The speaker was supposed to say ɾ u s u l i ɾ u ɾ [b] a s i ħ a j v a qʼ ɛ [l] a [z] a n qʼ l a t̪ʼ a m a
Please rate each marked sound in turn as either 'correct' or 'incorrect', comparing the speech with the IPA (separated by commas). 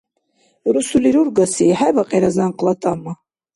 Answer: incorrect, incorrect, correct